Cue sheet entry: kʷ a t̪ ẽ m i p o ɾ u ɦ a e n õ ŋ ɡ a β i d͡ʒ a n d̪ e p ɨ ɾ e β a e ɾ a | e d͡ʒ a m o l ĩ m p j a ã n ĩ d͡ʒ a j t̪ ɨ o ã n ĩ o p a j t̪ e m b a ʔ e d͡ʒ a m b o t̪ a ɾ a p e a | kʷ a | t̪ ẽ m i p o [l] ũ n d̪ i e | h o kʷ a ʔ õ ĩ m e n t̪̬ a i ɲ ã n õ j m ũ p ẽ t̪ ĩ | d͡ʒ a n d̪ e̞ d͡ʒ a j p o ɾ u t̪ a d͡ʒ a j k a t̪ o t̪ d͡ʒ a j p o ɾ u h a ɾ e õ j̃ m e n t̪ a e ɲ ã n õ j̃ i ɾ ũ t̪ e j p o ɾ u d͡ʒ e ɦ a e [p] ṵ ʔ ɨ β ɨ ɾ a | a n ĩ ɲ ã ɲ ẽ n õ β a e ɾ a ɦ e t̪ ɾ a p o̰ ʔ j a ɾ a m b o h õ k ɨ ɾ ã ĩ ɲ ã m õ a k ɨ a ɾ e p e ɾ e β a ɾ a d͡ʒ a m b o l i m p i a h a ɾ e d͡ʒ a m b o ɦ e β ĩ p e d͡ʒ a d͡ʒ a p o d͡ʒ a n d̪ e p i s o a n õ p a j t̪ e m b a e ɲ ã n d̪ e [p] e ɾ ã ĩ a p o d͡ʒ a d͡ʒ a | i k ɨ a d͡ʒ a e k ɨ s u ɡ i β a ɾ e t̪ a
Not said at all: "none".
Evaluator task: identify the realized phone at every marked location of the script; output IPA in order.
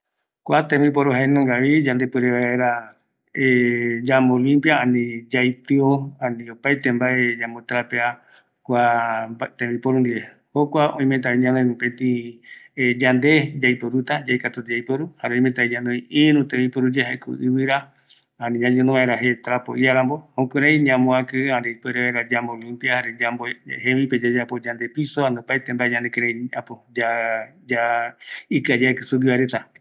ɾ, k, k

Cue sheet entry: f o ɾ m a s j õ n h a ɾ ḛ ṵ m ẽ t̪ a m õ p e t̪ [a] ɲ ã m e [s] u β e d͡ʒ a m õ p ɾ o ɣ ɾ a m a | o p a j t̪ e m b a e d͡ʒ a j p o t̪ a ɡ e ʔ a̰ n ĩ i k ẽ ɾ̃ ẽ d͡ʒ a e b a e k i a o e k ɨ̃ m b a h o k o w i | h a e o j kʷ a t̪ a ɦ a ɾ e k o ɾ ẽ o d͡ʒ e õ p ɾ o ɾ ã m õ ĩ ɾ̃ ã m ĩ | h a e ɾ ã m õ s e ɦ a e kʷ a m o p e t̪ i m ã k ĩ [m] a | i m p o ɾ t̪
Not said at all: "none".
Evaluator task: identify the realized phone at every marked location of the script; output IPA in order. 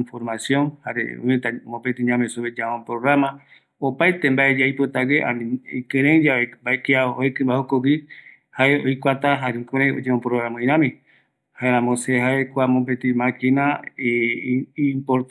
i, s, n

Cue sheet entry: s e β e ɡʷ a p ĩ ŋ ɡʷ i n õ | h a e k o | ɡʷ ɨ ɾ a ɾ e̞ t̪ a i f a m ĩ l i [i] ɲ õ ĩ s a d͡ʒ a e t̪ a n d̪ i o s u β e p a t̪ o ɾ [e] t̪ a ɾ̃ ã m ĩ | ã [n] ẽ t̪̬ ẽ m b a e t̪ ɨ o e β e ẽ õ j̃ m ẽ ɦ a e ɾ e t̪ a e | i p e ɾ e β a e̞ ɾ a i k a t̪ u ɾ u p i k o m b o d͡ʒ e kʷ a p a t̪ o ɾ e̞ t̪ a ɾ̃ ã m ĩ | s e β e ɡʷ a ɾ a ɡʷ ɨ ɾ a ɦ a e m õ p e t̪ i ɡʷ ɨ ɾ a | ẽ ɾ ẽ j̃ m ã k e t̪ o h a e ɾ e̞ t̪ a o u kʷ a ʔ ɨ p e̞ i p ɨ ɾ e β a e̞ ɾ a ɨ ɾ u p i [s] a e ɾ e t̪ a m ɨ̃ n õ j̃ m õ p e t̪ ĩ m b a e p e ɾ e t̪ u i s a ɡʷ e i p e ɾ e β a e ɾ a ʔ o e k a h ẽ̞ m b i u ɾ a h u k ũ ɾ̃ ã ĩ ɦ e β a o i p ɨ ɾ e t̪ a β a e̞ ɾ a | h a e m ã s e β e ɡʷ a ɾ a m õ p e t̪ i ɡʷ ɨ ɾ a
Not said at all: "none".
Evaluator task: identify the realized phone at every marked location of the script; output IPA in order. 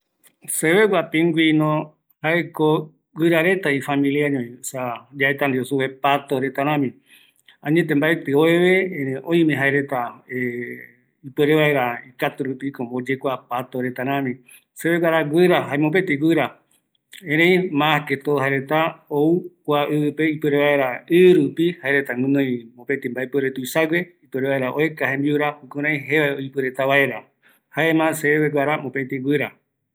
a, e, ɲ, h

